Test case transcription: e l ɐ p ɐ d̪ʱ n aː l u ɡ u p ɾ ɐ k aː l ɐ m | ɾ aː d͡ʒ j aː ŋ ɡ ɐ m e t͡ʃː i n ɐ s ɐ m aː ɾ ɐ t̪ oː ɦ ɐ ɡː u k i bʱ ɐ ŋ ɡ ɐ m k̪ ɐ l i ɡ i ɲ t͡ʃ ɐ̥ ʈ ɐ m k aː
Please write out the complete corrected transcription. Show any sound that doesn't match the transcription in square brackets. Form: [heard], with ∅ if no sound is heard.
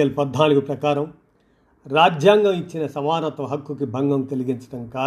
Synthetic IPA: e l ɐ p ɐ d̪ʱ n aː l u ɡ u p ɾ ɐ k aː [ɾ] ɐ m | ɾ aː d͡ʒ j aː ŋ ɡ ɐ m [i] t͡ʃː i n ɐ s ɐ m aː ɾ ɐ t̪ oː ɦ ɐ [kː] u k i bʱ ɐ ŋ ɡ ɐ m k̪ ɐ l i ɡ i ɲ t͡ʃ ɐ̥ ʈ ɐ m k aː